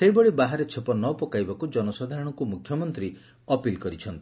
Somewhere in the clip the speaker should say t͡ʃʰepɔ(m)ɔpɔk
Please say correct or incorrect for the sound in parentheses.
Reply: incorrect: n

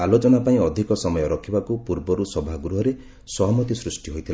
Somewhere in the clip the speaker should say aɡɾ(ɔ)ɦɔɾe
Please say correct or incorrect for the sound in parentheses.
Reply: incorrect: u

